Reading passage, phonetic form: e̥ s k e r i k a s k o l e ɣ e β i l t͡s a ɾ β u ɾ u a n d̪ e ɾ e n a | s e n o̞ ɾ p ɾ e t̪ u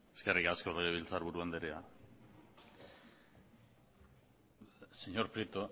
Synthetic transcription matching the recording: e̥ s k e r i k a s k o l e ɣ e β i l t͡s a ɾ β u ɾ u a n d̪ e ɾ e a | s e ɲ o̞ ɾ p ɾ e t̪ o